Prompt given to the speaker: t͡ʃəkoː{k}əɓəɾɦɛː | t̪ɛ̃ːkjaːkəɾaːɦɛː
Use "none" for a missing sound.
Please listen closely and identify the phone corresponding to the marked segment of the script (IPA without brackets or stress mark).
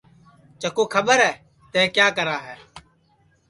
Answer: kʰ